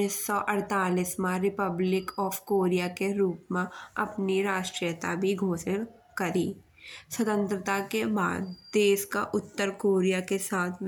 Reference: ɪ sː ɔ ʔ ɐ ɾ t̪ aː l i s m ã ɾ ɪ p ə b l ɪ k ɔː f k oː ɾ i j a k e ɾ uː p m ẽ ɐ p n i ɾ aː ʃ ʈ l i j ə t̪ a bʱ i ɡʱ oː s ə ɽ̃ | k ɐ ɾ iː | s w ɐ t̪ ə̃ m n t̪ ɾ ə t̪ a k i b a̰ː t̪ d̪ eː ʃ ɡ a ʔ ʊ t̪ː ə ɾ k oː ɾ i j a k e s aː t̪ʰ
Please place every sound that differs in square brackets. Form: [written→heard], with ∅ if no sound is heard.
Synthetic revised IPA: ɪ sː ɔ ʔ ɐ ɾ t̪ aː l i s m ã ɾ ɪ p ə b l ɪ k ɔː f k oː ɾ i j a k e ɾ uː p m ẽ ɐ p n i ɾ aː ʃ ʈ [l→ɾ] i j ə t̪ a bʱ i ɡʱ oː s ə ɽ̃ | k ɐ ɾ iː | s w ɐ t̪ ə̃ [m→∅] n t̪ ɾ ə t̪ a k [i→e] b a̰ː [t̪→d̪] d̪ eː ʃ [ɡ→k] a ʔ ʊ t̪ː ə ɾ k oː ɾ i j a k e s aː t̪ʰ